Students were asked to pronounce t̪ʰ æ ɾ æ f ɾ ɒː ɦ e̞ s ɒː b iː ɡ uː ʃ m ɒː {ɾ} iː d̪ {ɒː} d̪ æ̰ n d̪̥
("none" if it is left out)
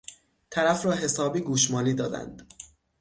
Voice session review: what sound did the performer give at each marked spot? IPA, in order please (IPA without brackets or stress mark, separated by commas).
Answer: l, ɒː